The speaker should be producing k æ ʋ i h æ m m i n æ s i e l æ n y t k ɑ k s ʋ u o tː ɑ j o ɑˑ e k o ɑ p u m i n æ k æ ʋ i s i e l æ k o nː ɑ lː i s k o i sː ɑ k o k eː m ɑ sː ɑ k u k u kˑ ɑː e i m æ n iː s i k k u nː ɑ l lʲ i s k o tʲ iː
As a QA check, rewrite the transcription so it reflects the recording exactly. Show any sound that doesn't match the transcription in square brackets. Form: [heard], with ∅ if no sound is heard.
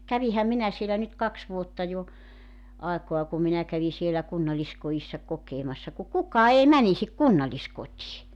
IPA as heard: k æ ʋ i h æ m m i n æ s i e l æ n y t k ɑ k s ʋ u o tː ɑ j o ɑˑ e k o ɑ [k] u m i n æ k æ ʋ i s i e l æ k [u] nː ɑ lː i s k o i sː ɑ k o k eː m ɑ sː ɑ k u k u kˑ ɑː e i m æ n [i] s i k k u nː ɑ l lʲ i s k o tʲ iː